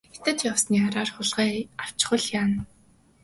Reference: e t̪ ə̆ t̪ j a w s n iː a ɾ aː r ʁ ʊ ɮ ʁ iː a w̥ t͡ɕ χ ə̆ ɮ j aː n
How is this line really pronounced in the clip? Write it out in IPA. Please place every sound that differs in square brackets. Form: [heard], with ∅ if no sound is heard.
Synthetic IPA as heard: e t̪ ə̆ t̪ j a w s n iː a ɾ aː r [χ] ʊ ɮ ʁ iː a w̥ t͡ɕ χ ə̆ ɮ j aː n